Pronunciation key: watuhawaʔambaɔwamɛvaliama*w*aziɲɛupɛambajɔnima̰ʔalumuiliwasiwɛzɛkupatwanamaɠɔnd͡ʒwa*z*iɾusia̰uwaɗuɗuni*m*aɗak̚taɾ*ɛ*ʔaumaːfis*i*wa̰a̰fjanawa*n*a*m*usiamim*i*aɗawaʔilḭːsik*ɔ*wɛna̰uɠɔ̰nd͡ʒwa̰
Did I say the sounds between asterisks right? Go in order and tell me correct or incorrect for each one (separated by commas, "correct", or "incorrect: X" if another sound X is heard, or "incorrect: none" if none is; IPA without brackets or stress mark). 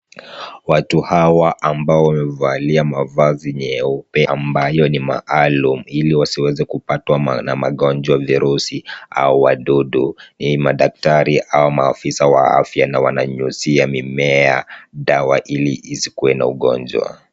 incorrect: v, incorrect: v, correct, incorrect: i, incorrect: a, correct, incorrect: ɲ, incorrect: ɛ, incorrect: u